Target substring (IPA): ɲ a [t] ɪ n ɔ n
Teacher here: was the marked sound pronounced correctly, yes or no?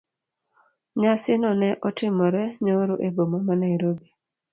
no